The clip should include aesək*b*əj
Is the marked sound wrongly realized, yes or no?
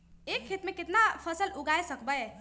no